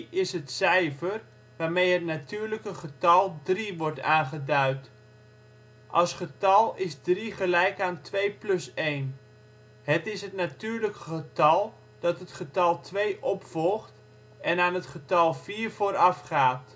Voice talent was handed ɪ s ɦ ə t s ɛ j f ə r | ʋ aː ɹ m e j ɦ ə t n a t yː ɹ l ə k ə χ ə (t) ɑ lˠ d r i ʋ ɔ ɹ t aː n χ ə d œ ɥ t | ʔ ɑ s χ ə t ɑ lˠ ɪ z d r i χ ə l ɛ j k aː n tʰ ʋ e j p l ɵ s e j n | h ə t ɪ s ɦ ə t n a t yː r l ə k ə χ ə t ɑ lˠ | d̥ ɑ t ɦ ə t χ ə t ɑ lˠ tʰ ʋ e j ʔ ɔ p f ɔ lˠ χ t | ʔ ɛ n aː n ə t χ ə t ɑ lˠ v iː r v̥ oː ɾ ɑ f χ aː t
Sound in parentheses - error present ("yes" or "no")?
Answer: no